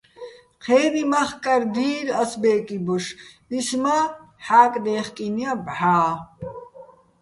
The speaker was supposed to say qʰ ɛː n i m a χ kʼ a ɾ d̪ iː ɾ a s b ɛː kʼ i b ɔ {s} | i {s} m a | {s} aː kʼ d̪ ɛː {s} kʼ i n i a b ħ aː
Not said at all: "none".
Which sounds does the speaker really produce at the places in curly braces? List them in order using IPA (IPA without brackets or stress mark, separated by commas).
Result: ʃ, s, ħ, χ